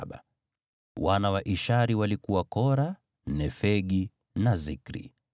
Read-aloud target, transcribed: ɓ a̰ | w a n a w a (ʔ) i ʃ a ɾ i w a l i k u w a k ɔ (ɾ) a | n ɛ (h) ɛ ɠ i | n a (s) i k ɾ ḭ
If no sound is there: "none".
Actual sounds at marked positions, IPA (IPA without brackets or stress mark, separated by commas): ʔ, ɾ, f, z